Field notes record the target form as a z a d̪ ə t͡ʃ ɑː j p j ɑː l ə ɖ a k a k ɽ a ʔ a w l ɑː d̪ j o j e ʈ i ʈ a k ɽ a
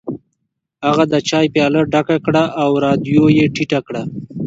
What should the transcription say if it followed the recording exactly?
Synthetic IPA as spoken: a ɣ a d̪ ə t͡ʃ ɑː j p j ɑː l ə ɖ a k a k ɽ a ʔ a w ɾ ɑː d̪ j o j e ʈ i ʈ a k ɽ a